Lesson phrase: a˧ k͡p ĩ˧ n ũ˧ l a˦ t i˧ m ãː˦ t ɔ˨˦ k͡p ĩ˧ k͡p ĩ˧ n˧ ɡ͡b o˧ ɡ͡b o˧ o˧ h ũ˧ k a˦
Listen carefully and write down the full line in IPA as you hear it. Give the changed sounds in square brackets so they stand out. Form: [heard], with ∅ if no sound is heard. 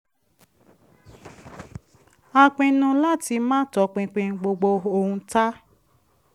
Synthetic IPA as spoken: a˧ k͡p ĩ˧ n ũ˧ l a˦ t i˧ m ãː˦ t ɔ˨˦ k͡p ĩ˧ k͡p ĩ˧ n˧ ɡ͡b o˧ ɡ͡b o˧ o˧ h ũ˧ [t] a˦